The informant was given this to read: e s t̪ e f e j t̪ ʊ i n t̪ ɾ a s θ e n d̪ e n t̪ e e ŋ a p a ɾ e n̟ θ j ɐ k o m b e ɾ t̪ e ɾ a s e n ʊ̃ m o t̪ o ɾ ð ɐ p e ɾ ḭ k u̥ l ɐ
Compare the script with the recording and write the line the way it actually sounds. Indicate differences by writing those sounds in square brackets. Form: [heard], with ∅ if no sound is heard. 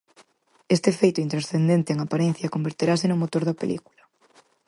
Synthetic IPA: e s t̪ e f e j t̪ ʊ i n t̪ ɾ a s θ e n d̪ e n t̪ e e ŋ a p a ɾ e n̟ θ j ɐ k o m b e ɾ t̪ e ɾ a s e n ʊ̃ m o t̪ o ɾ ð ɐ p e [l] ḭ k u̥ l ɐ